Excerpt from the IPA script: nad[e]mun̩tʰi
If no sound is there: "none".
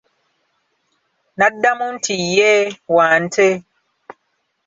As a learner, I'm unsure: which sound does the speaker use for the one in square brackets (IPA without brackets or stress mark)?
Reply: a